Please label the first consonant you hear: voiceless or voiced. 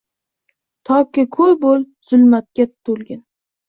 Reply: voiceless